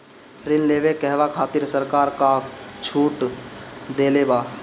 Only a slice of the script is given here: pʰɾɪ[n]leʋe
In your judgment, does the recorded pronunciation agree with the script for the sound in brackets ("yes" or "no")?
yes